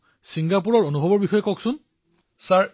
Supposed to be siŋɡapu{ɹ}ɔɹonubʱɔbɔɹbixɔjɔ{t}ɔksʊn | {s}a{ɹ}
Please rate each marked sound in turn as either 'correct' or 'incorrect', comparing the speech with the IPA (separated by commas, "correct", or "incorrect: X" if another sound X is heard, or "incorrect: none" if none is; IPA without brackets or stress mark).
correct, incorrect: k, correct, correct